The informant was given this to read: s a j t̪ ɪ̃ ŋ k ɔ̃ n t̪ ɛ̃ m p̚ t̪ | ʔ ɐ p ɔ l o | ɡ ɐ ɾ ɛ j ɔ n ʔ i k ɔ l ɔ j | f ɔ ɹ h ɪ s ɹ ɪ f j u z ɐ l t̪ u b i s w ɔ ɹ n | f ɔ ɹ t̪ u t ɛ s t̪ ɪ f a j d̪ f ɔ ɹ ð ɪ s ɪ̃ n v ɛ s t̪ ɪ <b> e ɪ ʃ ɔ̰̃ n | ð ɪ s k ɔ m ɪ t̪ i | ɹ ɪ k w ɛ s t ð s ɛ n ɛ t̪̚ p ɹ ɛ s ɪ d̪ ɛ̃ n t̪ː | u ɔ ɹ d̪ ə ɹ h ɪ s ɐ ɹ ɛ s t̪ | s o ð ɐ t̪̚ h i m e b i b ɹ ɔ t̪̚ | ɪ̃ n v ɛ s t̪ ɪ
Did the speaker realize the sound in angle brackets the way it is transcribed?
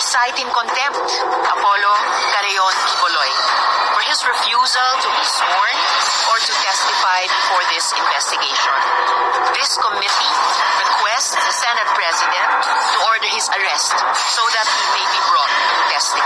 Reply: no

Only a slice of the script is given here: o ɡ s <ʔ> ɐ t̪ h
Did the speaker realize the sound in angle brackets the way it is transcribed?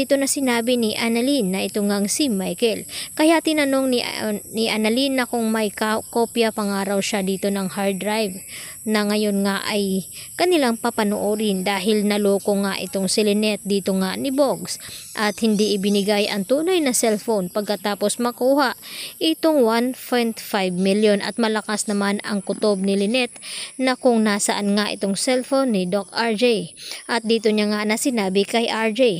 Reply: yes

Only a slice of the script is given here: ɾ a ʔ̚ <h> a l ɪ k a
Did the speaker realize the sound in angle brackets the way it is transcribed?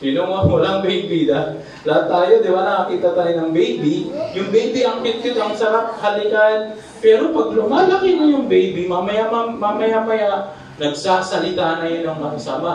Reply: yes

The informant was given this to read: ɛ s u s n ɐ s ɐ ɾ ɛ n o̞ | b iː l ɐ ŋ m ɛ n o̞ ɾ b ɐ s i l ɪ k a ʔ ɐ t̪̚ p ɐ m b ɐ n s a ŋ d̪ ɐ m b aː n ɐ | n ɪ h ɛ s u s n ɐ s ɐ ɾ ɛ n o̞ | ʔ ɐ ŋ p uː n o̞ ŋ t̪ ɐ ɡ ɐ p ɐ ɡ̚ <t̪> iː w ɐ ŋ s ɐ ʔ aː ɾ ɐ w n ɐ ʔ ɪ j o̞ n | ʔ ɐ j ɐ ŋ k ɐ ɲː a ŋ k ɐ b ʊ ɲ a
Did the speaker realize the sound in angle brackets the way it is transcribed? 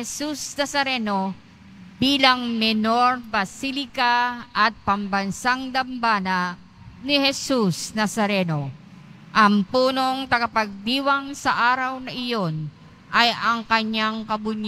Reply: no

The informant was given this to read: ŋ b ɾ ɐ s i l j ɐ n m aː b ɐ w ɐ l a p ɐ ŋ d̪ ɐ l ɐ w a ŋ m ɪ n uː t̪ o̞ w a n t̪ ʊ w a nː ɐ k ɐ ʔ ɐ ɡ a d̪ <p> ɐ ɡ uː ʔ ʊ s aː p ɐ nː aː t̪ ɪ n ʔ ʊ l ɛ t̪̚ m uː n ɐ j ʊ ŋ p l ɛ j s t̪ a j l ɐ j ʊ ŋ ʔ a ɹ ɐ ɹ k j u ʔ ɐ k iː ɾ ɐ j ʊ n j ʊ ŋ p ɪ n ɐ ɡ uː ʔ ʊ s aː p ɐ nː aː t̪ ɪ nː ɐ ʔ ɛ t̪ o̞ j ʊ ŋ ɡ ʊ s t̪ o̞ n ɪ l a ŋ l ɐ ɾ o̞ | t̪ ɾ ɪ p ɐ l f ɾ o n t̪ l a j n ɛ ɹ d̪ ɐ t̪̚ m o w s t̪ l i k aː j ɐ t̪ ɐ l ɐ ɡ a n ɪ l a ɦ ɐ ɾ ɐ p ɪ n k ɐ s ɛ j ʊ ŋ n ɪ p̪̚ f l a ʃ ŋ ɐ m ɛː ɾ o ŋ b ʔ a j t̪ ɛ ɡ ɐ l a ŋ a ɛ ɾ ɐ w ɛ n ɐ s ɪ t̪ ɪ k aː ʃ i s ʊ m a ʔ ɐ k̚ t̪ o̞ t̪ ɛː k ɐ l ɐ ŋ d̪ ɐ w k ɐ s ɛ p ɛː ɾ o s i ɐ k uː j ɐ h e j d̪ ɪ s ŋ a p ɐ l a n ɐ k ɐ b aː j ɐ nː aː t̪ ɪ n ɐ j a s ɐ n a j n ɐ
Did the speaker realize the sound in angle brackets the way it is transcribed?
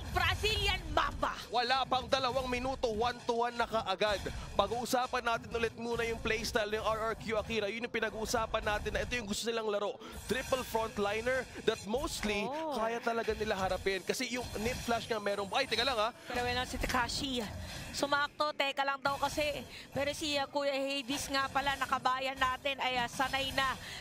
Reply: yes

